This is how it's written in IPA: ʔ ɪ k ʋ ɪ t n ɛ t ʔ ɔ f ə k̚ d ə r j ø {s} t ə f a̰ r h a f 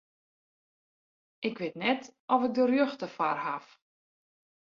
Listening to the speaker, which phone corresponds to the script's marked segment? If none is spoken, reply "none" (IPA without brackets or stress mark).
x